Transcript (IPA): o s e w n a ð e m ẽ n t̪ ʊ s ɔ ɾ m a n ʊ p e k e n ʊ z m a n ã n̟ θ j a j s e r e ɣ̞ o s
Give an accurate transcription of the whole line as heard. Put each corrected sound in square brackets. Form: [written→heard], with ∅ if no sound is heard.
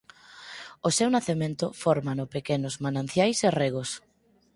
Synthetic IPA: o s e w n a [ð→θ] e m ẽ n t̪ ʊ [s→f] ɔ ɾ m a n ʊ p e k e n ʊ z m a n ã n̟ θ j a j s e r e ɣ̞ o s